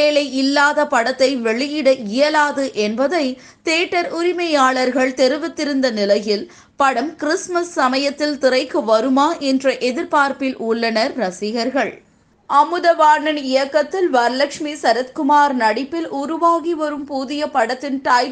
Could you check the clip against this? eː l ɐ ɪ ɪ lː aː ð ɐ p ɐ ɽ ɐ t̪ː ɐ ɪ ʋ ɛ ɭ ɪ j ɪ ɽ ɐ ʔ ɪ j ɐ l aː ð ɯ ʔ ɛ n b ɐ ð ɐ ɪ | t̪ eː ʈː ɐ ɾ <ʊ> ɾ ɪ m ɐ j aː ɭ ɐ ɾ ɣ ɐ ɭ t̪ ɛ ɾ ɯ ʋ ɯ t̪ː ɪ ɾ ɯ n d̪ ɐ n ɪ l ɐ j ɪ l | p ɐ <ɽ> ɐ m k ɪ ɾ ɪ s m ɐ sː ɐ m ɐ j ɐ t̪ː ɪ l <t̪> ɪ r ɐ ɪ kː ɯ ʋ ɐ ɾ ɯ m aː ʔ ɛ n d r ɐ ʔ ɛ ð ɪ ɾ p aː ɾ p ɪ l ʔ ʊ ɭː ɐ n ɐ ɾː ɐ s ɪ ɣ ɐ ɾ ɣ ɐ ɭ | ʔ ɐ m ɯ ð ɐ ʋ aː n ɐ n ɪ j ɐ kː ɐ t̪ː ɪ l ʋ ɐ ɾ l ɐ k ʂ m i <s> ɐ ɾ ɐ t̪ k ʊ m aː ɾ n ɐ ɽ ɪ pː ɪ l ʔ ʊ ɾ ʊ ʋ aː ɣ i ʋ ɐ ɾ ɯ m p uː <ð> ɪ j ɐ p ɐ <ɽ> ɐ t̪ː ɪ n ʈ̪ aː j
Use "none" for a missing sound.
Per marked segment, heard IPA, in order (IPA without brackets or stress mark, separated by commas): ʊ, ɽ, t̪, s, ð, ɽ